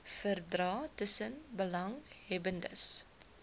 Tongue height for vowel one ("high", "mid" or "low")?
mid